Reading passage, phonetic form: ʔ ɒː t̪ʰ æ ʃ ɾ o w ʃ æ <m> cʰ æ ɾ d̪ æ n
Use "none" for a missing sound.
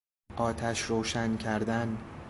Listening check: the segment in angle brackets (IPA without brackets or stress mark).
n